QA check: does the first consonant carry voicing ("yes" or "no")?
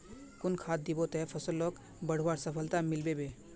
no